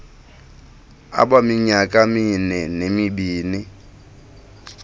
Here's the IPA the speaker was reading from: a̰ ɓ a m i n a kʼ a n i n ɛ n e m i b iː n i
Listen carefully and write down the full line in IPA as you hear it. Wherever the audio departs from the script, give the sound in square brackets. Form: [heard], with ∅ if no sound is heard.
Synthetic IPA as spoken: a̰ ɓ a m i [ɲ] a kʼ a [m] i n ɛ n e m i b iː n i